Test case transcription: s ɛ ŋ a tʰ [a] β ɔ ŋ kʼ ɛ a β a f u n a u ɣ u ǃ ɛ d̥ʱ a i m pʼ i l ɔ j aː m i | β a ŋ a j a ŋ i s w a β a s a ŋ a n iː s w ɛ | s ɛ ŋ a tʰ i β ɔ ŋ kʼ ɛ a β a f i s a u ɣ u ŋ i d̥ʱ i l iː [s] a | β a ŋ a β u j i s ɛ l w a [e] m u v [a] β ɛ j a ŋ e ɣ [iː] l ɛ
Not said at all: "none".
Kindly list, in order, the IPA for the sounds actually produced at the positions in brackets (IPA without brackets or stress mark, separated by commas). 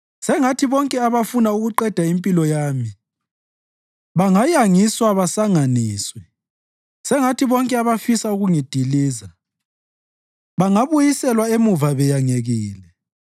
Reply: i, z, e, a, iː